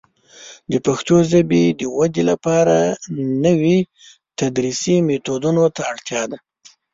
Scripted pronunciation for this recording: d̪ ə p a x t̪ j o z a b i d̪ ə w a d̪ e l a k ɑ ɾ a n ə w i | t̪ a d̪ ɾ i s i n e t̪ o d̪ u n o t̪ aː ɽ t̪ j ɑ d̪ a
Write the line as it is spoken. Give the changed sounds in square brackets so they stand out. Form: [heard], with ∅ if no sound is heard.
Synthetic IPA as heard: d̪ ə p a x t̪ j o z a b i d̪ ə w a d̪ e l a [p] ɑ ɾ a n ə w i | t̪ a d̪ ɾ i s i [m] e t̪ o d̪ u n o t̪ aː ɽ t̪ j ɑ d̪ a